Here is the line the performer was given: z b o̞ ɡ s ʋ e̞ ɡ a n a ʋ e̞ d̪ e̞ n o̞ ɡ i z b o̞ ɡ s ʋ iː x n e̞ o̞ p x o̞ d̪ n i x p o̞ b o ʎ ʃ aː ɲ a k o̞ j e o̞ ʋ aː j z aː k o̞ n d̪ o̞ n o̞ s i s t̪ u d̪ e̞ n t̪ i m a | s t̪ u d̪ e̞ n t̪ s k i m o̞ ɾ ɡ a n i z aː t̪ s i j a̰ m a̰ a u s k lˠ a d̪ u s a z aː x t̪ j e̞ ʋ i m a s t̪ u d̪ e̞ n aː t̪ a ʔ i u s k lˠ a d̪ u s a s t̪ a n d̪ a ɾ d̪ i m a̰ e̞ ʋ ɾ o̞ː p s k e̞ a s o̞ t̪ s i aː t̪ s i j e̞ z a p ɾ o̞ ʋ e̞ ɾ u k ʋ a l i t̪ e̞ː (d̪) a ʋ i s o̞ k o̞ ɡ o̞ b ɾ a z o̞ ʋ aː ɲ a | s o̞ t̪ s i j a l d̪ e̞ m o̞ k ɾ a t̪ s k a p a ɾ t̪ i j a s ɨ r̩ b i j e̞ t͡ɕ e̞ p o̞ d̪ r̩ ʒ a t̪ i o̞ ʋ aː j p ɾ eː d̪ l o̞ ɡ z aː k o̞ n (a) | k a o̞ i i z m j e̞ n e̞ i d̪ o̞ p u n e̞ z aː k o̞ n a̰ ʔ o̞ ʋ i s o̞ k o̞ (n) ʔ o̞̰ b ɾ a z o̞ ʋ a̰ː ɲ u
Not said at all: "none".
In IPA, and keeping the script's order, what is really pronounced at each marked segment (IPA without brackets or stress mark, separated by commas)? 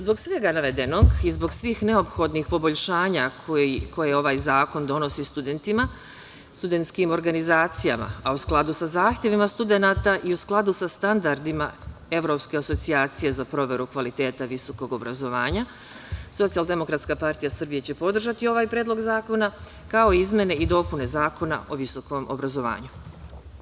t̪, a, m